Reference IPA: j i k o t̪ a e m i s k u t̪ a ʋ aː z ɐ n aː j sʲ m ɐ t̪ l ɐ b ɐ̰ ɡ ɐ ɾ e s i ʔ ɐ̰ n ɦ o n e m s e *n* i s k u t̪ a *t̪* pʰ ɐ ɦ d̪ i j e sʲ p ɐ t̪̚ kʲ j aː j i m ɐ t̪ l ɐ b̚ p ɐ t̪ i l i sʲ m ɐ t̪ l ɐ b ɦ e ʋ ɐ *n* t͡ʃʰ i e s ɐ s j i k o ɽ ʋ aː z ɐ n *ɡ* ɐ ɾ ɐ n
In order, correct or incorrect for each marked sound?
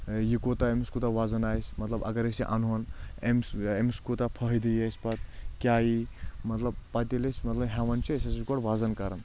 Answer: incorrect: m, incorrect: none, correct, incorrect: k

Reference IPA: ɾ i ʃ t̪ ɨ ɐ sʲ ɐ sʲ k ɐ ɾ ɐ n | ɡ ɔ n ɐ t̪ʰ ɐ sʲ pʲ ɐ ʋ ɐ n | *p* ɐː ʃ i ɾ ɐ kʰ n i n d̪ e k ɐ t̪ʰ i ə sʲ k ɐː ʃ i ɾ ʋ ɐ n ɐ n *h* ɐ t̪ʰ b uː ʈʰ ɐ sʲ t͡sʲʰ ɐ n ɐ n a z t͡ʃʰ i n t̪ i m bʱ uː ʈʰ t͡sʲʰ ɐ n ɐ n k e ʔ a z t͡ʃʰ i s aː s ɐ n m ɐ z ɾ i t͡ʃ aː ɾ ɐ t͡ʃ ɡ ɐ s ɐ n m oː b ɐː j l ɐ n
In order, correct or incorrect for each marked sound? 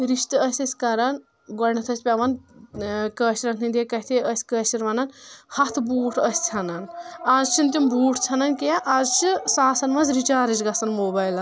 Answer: incorrect: k, correct

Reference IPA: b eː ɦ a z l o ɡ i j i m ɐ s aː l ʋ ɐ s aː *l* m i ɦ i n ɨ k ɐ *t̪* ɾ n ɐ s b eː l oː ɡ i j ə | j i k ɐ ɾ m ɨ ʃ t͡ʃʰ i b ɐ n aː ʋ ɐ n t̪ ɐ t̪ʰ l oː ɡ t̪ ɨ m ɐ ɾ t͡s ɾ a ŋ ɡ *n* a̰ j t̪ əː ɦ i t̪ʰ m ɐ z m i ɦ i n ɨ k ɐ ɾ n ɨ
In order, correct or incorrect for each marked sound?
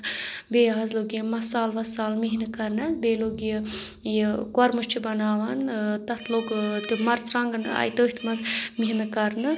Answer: correct, incorrect: none, correct

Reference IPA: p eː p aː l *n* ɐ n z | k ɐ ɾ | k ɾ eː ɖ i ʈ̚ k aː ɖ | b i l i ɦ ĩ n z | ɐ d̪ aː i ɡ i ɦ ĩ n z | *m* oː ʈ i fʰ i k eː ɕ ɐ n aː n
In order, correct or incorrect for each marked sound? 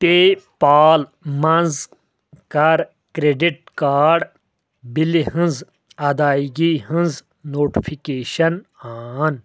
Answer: incorrect: m, incorrect: n

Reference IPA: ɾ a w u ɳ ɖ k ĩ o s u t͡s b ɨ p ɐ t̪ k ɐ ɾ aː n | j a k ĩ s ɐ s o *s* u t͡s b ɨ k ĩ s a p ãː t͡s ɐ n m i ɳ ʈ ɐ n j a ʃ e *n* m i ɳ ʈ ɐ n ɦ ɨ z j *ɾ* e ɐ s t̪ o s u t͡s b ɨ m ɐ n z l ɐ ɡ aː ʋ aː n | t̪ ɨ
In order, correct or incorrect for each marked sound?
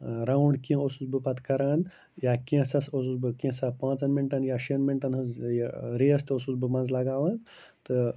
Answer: correct, correct, correct

